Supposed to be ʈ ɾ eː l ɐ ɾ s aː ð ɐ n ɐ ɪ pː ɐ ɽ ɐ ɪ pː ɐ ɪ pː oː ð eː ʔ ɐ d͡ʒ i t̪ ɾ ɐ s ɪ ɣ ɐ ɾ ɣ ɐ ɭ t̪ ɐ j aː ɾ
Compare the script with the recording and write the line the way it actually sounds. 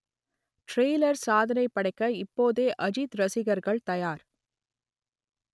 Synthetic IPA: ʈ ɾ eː l ɐ ɾ s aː ð ɐ n ɐ ɪ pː ɐ ɽ ɐ ɪ kː ɐ ɪ pː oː ð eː ʔ ɐ d͡ʒ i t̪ ɾ ɐ s ɪ ɣ ɐ ɾ ɣ ɐ ɭ t̪ ɐ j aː ɾ